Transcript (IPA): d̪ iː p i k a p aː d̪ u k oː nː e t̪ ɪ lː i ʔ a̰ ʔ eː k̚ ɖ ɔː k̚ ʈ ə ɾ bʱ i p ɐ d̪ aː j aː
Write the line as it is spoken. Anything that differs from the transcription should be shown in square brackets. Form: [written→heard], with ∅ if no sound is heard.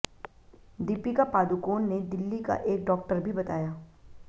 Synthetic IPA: d̪ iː p i k a p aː d̪ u k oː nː e [t̪→d̪] ɪ lː i [ʔ→k] a̰ ʔ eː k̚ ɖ ɔː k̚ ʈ ə ɾ bʱ i [p→b] ɐ [d̪→t̪] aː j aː